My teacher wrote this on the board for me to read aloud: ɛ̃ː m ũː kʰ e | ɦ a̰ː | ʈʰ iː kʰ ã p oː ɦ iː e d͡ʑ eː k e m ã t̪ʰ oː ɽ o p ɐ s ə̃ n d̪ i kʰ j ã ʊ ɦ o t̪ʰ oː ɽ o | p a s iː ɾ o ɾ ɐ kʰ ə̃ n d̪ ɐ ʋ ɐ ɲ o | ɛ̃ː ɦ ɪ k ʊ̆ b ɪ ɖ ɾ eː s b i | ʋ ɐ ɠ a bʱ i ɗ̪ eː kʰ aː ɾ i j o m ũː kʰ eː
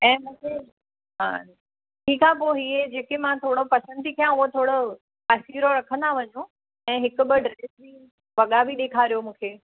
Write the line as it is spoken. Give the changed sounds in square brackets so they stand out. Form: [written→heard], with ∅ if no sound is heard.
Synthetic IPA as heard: ɛ̃ː m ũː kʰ e | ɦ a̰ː | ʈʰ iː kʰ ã p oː ɦ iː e d͡ʑ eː k e m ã t̪ʰ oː ɽ o p ɐ s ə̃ n d̪ i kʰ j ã ʊ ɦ o t̪ʰ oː ɽ o | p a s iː ɾ o ɾ ɐ kʰ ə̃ n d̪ [ɐ→a] ʋ ɐ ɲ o | ɛ̃ː ɦ ɪ k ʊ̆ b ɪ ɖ ɾ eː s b i | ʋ ɐ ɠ a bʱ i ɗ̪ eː kʰ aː ɾ i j o m ũː kʰ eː